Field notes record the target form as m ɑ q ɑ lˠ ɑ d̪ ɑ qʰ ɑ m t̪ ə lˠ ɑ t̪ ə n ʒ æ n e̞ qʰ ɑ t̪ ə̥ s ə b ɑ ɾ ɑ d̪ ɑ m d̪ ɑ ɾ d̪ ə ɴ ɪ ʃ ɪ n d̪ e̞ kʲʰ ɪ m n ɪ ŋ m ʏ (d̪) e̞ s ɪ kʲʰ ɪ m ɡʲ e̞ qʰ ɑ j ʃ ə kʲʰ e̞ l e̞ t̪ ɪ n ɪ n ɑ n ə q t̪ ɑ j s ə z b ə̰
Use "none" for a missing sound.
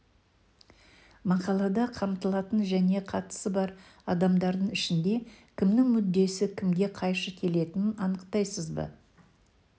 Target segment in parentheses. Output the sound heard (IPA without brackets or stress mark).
d̪ː